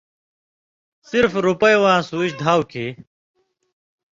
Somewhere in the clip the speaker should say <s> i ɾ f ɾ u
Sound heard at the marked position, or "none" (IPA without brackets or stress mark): s